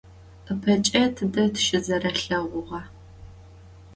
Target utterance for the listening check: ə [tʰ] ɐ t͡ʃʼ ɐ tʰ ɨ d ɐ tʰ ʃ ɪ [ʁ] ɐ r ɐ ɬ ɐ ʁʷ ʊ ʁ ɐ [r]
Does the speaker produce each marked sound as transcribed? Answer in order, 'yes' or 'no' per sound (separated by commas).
no, no, no